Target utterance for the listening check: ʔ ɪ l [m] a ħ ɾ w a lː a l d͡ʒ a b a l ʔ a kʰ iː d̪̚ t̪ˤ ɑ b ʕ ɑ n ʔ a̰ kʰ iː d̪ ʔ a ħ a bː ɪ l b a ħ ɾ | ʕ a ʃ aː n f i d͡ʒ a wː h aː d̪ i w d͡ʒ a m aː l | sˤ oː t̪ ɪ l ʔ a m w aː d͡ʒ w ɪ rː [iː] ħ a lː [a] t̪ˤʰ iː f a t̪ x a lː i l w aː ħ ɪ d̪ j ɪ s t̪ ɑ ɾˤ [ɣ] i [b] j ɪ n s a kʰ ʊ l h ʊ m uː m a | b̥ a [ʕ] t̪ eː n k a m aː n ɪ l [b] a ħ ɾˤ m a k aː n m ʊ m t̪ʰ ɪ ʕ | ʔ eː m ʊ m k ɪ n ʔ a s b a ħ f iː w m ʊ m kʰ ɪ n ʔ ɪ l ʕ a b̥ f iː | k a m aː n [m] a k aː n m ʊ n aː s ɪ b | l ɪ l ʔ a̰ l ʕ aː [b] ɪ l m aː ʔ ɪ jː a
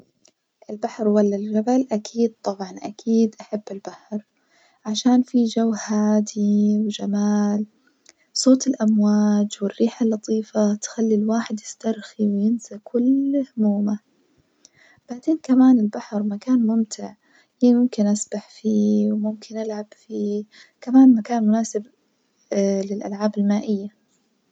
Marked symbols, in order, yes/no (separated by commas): no, yes, no, no, no, yes, yes, yes, yes